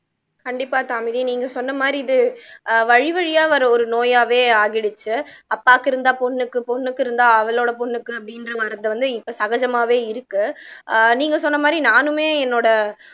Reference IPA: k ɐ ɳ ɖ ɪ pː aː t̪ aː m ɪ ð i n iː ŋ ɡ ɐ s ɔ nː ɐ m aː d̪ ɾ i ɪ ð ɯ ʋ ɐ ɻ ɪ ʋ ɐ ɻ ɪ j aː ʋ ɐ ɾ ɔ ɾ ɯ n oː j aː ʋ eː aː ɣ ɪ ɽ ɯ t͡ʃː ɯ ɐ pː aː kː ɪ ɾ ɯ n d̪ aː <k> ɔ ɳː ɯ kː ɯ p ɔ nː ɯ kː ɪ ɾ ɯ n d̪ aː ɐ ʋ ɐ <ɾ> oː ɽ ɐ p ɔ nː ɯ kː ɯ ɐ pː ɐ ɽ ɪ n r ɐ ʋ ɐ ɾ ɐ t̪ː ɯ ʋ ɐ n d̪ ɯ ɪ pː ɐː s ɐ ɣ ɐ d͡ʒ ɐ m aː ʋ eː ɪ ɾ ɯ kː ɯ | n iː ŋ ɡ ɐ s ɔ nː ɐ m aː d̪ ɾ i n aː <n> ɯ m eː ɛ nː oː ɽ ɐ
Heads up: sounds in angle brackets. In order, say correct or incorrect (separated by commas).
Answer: incorrect, incorrect, correct